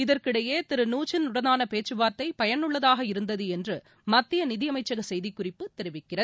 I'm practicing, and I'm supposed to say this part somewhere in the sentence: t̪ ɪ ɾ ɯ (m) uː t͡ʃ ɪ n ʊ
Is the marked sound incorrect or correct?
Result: incorrect: n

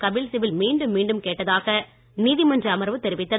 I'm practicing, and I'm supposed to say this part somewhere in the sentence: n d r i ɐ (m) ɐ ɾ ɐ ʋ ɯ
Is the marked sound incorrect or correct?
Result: correct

